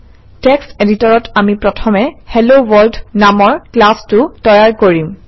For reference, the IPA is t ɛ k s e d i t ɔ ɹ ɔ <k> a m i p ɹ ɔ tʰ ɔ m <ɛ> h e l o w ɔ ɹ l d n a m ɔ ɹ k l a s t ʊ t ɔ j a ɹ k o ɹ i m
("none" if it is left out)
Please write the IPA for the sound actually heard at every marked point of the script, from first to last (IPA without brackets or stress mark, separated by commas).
t, ɛ